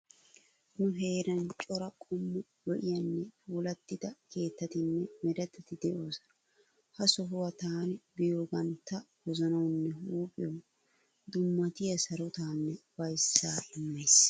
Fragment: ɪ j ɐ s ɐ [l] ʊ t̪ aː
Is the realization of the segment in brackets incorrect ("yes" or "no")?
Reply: yes